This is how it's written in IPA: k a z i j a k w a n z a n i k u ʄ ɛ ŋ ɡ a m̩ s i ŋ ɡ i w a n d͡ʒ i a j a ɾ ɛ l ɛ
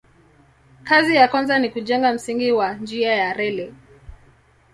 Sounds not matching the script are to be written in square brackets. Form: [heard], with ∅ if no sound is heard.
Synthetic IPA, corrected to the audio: k a z i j a k w a n z a n i k u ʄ ɛ ŋ ɡ a m̩ s i ŋ ɡ i w a n d͡ʒ i a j a ɾ ɛ l ɛ